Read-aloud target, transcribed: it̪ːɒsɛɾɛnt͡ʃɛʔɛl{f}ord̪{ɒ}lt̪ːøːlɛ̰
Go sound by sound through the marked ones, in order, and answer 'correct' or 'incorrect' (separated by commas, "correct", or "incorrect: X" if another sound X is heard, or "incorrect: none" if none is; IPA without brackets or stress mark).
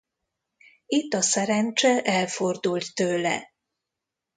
correct, incorrect: u